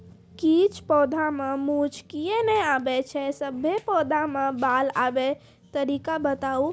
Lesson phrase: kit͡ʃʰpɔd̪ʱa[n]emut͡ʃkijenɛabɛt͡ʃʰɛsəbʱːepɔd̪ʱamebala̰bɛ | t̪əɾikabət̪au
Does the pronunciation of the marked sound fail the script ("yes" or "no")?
yes